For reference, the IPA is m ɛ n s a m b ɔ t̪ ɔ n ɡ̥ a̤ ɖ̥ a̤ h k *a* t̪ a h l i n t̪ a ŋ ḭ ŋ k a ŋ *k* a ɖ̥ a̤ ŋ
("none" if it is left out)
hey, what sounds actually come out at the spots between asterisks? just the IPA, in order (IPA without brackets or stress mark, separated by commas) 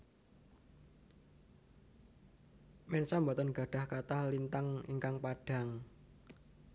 a, p